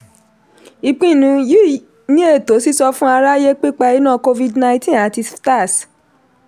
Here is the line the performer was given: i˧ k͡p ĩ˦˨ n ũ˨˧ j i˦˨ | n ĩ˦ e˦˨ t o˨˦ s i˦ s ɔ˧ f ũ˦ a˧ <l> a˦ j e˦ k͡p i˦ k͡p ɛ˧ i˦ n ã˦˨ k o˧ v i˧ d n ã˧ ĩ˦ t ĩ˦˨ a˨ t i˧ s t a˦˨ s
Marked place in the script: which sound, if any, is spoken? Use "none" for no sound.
ɾ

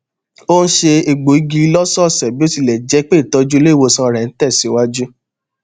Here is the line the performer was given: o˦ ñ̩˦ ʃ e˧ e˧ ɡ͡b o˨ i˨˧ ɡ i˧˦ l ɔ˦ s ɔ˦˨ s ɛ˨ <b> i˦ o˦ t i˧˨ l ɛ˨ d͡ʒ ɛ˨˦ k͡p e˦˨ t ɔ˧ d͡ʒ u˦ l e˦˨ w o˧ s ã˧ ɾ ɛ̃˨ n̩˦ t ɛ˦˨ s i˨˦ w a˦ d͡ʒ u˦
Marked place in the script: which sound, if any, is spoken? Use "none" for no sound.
b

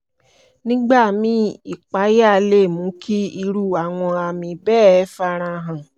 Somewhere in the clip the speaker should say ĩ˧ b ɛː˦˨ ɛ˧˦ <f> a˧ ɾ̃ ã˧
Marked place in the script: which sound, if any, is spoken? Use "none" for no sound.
f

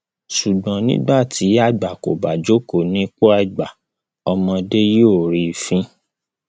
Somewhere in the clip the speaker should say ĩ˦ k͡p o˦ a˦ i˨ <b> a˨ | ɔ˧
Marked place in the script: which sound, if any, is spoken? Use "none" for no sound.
ɡ͡b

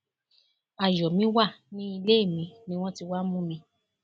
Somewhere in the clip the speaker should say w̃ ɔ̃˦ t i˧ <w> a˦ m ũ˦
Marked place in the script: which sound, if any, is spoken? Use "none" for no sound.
w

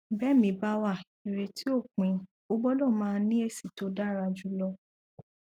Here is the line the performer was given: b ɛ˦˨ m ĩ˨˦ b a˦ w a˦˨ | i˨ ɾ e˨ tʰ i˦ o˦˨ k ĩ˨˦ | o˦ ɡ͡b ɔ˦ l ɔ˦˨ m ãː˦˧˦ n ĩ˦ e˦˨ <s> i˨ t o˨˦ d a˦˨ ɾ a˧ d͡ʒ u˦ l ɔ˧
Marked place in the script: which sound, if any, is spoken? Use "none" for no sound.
s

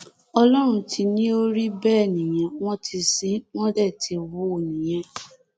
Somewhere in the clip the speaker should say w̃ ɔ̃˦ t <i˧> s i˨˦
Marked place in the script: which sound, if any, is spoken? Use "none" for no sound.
i˧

